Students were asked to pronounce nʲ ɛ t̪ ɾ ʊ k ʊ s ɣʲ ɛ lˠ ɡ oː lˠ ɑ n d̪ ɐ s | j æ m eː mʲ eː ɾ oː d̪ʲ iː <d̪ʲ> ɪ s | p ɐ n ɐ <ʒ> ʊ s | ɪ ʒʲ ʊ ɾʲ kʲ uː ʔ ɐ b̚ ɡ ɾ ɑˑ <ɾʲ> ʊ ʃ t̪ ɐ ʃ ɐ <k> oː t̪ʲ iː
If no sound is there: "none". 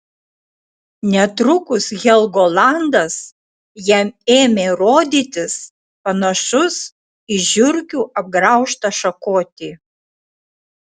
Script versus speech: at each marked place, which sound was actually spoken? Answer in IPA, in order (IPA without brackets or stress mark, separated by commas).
t̪ʲ, ʃ, none, k